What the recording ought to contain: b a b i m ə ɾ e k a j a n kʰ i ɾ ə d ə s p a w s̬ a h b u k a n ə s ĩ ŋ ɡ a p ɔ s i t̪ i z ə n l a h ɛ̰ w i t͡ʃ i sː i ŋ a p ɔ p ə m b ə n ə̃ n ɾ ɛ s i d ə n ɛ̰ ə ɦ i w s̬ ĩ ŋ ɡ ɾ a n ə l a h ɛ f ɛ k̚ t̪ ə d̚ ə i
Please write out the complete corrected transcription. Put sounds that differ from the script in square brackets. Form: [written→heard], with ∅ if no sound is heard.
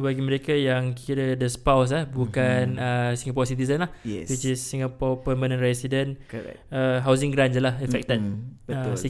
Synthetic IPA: b a [b→ɡ] i m ə ɾ e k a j a [n→ŋ] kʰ i ɾ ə d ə s p a w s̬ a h b u k a n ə s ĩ ŋ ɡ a p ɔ s i t̪ i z ə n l a h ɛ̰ w i t͡ʃ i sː i ŋ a p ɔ p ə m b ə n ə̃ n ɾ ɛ s i d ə n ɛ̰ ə ɦ [i→a] w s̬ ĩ ŋ ɡ ɾ a n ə l a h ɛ f ɛ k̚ t̪ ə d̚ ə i